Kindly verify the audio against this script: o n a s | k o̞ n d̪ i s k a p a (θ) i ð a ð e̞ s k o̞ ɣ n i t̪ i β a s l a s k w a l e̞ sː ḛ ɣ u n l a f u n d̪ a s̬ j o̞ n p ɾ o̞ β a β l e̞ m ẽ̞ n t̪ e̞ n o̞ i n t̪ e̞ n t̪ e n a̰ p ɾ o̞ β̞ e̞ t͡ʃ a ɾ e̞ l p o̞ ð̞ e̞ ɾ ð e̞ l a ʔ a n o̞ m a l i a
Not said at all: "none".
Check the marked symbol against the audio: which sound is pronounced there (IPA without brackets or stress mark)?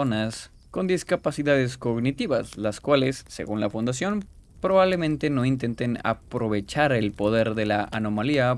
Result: s